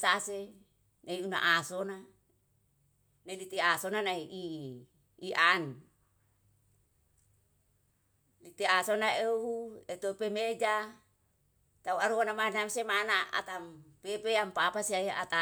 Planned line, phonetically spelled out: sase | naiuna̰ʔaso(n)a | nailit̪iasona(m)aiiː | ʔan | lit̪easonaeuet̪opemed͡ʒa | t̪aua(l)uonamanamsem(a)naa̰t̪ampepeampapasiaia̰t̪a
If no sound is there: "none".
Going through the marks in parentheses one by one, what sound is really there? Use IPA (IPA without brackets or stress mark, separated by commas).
n, n, ɾ, a